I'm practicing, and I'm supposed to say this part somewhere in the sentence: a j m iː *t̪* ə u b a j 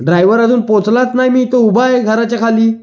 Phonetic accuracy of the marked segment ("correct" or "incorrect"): correct